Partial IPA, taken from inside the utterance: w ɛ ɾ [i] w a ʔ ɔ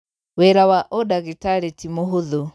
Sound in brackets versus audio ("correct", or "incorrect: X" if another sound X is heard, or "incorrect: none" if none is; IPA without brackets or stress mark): incorrect: a